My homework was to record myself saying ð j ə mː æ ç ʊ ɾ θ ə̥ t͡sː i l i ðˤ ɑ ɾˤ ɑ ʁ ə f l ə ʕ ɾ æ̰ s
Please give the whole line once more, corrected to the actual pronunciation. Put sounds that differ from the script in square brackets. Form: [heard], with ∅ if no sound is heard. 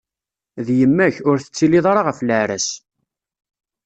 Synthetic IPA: ð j ə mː æ ç ʊ ɾ θ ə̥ t͡sː i l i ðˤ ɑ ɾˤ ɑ ʁ ə f l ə ʕ ɾ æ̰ s